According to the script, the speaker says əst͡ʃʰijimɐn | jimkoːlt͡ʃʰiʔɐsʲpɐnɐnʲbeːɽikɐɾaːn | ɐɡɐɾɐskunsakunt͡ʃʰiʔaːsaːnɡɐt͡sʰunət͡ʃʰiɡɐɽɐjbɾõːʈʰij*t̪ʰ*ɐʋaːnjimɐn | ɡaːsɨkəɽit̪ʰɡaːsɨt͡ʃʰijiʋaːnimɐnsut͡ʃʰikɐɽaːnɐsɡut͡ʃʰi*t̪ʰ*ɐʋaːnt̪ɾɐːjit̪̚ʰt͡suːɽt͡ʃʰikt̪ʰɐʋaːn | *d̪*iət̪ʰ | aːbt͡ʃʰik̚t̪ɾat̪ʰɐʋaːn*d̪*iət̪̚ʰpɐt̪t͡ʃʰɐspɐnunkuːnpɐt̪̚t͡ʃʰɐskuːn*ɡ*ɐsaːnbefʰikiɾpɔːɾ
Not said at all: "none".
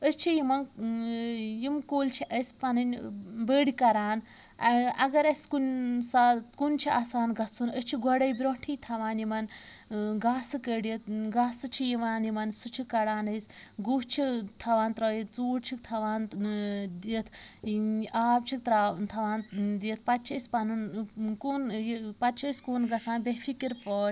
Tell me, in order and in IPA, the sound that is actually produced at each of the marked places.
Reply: t̪ʰ, t̪ʰ, d̪, d̪, ɡ

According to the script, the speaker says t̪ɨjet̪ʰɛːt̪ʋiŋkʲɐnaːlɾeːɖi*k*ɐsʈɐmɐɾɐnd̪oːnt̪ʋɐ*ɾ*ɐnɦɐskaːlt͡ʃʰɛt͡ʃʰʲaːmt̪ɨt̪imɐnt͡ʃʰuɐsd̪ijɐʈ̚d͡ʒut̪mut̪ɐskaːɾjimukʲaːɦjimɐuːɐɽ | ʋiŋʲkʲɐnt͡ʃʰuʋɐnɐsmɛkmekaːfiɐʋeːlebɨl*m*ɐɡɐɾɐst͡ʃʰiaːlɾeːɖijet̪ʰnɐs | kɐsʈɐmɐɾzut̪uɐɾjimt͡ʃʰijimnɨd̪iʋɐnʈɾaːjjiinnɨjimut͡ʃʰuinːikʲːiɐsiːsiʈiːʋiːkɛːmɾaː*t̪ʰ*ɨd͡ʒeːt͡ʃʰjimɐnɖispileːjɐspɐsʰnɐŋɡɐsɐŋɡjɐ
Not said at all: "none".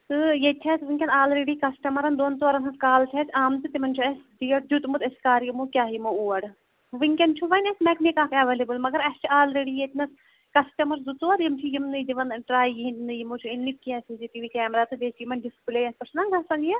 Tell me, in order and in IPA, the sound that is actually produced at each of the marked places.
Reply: k, ɾ, m, t̪

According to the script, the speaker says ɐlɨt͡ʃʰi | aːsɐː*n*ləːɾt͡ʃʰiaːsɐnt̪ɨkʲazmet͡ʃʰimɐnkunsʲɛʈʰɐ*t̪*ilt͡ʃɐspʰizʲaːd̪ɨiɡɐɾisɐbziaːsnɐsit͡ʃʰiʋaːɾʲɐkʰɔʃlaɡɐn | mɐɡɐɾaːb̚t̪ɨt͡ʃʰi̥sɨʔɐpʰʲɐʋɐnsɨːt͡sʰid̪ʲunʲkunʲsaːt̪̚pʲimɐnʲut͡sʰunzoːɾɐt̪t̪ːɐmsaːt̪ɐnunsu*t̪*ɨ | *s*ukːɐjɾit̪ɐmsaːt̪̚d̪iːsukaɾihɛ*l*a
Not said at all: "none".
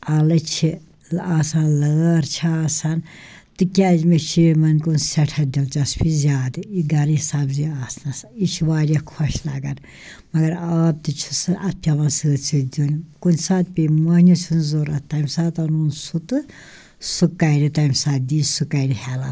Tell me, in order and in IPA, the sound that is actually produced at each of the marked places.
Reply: n, d̪, t̪, s, l

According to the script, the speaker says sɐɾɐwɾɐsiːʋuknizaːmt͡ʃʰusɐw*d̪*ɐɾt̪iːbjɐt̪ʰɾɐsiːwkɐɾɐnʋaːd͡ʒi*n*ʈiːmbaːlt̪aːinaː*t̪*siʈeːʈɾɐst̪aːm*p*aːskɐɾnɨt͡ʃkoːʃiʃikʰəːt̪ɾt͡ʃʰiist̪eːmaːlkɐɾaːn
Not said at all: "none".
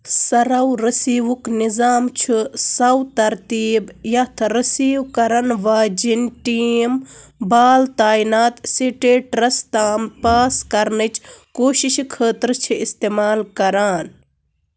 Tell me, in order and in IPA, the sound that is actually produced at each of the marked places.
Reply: t̪, n, t̪, p

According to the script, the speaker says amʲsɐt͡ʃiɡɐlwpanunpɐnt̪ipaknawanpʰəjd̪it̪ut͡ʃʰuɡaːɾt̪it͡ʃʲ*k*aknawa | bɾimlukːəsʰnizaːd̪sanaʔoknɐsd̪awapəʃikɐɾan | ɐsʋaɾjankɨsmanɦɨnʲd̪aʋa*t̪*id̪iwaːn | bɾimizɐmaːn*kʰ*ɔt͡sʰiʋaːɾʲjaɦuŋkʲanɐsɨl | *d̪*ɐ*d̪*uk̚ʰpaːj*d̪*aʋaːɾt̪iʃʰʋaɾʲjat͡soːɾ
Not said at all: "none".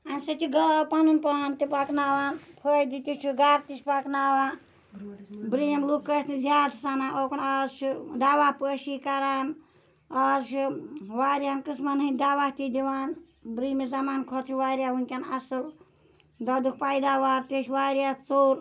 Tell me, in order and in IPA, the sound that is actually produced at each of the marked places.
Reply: p, t̪, kʰ, d̪, d̪, d̪

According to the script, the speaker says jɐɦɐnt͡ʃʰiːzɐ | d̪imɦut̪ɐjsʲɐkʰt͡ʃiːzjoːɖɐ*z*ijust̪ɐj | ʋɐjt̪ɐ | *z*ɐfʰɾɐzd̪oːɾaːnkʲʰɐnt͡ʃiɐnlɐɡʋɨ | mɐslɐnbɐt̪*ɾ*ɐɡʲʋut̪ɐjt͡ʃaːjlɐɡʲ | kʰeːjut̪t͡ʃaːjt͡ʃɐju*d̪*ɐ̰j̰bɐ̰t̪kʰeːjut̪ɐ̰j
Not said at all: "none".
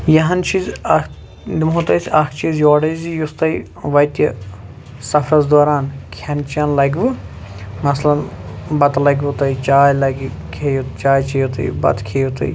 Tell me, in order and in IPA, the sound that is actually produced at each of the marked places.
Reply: z, s, l, t̪

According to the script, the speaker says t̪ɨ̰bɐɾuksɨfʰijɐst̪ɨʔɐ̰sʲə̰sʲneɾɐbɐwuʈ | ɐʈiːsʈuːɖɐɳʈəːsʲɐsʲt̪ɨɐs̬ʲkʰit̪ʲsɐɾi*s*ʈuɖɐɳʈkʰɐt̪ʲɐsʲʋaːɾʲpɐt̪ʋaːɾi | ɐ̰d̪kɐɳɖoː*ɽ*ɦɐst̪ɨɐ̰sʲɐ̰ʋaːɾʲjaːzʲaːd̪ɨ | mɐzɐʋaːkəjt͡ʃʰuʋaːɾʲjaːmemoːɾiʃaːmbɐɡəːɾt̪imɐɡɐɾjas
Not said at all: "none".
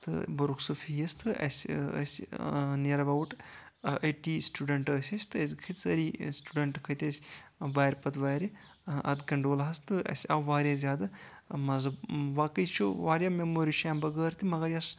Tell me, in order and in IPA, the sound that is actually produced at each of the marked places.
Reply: s, l

